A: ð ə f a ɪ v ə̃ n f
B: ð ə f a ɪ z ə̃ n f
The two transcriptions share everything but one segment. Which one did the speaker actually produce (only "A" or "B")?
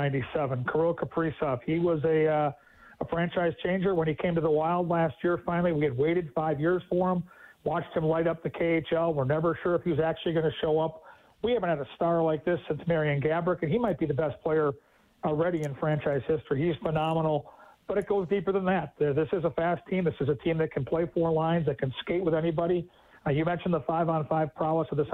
A